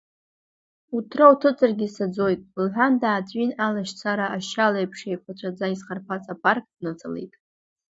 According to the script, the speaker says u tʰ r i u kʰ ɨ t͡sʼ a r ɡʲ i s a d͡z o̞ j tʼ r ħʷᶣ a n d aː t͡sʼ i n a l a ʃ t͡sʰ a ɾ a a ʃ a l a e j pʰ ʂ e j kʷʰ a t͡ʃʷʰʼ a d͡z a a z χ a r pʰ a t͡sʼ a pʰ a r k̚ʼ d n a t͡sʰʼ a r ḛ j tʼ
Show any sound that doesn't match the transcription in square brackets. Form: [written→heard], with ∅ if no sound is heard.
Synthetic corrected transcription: u tʰ r [i→a] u [kʰ→tʰ] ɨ t͡sʼ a r ɡʲ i s a d͡z o̞ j tʼ [r→l] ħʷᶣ a n d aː t͡sʼ i n a l a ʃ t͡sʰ a ɾ a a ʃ a l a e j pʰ ʂ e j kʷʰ a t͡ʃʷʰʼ a d͡z a [a→i] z χ a r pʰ a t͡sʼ a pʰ a r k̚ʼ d n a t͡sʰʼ a [r→l] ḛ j tʼ